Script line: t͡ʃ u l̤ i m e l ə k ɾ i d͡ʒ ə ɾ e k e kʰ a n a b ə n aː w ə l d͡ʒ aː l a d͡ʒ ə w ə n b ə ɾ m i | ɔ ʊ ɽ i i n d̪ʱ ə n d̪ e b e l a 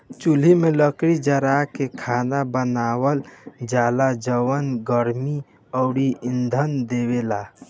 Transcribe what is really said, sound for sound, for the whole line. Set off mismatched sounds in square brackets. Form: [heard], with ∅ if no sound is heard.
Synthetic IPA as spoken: t͡ʃ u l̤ i m e l ə k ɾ i d͡ʒ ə ɾ [a] k e kʰ a n a b ə n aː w ə l d͡ʒ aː l a d͡ʒ ə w ə n [ɡ] ə ɾ m i | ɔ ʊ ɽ i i n d̪ʱ ə n d̪ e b e l a